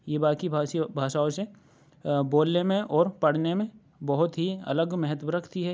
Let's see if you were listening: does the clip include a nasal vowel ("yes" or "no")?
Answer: yes